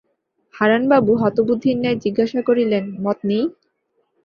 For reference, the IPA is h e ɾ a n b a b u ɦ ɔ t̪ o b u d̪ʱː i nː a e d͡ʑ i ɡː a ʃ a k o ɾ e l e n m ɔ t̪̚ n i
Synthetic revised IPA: h a ɾ a n b a b u ɦ ɔ t̪ o b u d̪ʱː i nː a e d͡ʑ i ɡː a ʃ a k o ɾ i l e n m ɔ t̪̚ n i